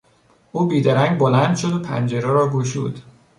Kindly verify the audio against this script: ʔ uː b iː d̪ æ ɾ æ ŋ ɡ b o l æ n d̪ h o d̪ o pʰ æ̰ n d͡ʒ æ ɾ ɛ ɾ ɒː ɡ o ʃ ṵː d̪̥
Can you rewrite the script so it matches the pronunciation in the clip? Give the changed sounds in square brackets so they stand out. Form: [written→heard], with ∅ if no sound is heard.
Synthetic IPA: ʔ uː b iː d̪ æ ɾ æ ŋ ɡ b o l æ n d̪ [h→ʃ] o d̪ o pʰ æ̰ n d͡ʒ [æ→e] ɾ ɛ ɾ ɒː ɡ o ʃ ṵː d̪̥